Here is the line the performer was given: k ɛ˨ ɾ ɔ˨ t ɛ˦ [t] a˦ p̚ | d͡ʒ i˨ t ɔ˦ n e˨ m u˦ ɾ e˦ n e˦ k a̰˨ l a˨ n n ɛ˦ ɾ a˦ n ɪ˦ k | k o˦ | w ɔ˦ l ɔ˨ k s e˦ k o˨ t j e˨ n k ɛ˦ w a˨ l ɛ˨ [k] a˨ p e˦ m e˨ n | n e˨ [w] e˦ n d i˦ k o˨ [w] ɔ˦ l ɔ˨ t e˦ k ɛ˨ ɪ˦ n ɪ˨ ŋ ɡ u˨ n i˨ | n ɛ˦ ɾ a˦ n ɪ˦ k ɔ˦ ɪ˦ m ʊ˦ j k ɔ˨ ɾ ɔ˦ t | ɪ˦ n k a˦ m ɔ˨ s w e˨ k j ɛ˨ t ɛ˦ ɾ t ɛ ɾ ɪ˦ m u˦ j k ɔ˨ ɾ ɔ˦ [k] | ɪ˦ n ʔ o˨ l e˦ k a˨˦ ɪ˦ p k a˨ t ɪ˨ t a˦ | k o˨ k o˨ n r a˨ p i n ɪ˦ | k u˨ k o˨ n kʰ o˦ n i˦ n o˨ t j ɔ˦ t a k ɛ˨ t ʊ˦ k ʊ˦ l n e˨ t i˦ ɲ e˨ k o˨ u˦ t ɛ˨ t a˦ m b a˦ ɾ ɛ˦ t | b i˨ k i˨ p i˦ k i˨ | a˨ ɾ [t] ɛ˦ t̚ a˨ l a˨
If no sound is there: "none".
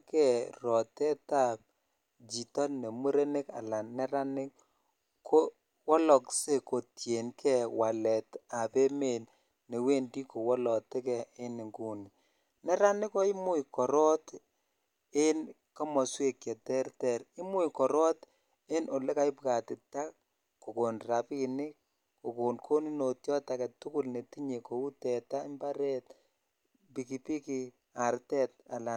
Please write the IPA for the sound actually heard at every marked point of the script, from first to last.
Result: t, t, w, w, t, t

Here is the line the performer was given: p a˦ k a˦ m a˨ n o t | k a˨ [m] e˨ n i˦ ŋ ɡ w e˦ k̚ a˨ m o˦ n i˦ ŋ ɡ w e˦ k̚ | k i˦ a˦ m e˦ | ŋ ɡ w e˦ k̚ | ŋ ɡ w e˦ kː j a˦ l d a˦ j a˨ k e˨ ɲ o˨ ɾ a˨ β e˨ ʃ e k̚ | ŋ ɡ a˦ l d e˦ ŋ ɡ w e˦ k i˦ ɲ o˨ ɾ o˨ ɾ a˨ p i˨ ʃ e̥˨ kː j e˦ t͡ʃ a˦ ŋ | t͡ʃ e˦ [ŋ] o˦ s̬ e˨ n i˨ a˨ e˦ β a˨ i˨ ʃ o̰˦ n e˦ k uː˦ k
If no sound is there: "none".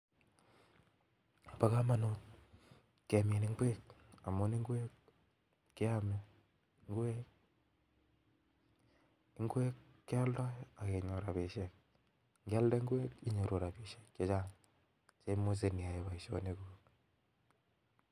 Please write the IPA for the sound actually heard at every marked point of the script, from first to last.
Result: m, m

